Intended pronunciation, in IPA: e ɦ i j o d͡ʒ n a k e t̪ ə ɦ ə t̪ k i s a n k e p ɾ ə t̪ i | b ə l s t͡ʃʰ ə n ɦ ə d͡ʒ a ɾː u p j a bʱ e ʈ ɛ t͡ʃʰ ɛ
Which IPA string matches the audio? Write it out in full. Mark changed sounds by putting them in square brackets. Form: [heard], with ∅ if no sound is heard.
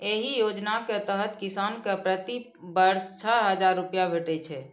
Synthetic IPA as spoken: e ɦ i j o d͡ʒ n a k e t̪ ə ɦ ə t̪ k i s a n k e p ɾ ə t̪ i | b ə [ɾ] s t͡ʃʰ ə [∅] ɦ ə d͡ʒ a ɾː u p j a bʱ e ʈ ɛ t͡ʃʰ ɛ